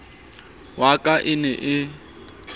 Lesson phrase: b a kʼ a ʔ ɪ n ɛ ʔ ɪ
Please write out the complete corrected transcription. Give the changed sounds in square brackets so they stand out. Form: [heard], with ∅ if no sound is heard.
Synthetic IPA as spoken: [w] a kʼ a ʔ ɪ n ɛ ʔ ɪ